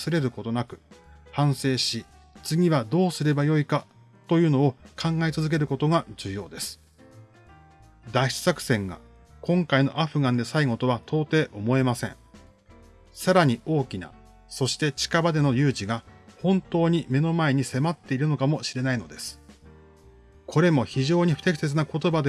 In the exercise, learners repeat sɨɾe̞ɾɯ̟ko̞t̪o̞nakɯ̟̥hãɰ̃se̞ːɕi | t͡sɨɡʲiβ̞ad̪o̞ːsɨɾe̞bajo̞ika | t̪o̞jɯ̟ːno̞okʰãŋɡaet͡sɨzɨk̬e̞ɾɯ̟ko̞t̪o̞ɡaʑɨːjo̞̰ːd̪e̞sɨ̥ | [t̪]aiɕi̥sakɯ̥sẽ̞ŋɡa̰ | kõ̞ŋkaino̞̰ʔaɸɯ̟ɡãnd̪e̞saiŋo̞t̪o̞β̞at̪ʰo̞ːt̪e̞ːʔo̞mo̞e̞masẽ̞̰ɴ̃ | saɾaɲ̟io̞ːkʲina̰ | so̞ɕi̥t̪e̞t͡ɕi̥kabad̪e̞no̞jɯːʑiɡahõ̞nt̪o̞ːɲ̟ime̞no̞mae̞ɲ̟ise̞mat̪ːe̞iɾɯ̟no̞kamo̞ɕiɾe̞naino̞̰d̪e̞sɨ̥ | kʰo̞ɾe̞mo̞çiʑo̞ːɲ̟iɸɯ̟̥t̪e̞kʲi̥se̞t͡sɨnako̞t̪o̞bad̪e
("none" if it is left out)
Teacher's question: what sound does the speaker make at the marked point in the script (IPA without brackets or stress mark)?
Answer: d̪